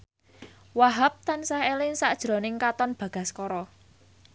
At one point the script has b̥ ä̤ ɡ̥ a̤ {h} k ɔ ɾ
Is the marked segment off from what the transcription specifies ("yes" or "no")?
yes